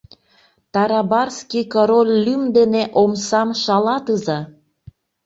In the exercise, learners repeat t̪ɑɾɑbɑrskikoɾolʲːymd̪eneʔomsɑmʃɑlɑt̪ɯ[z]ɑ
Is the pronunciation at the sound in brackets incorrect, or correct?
correct